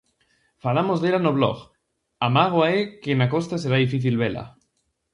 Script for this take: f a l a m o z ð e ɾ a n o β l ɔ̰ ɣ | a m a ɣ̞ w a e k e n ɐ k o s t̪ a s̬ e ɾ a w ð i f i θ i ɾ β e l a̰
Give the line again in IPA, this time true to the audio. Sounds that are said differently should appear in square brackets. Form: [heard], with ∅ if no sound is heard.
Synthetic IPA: f a l a m o z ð e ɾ a n o β l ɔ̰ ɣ | a m a ɣ̞ w a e k e n [a] k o s t̪ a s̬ e ɾ a [∅] ð i f i θ i [l] β e l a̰